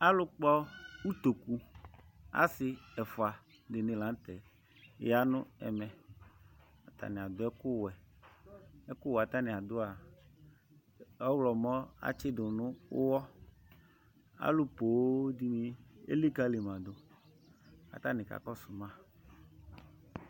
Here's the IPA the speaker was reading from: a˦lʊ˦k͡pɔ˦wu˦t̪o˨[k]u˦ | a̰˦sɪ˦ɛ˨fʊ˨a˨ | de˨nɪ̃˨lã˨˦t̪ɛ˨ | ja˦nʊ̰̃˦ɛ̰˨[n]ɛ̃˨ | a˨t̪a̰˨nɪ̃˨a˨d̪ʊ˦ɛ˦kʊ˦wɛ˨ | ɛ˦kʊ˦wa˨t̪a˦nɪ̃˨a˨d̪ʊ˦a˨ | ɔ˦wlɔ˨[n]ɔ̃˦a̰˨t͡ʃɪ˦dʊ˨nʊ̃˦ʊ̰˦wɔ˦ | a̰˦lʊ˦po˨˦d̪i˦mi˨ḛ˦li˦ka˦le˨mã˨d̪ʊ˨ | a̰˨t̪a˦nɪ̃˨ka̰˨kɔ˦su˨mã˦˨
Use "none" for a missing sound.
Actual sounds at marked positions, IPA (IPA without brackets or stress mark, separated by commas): k, m, m